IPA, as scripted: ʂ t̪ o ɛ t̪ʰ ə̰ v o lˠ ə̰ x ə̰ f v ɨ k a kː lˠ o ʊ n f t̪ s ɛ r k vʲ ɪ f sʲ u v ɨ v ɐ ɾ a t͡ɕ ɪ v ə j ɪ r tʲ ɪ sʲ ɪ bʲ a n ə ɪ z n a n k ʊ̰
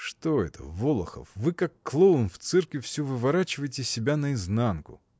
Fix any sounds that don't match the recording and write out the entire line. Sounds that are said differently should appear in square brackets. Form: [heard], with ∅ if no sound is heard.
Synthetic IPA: ʂ t̪ o ɛ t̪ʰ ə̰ v o lˠ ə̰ x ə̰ f v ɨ k a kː lˠ o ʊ n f t̪ s ɛ r k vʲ ɪ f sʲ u v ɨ v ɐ ɾ a t͡ɕ ɪ v ə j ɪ [∅] tʲ ɪ sʲ ɪ bʲ a n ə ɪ z n a n k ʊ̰